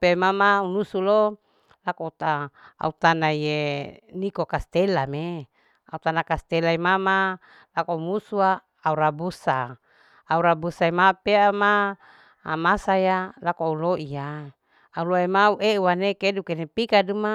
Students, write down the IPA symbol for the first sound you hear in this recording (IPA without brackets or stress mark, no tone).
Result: p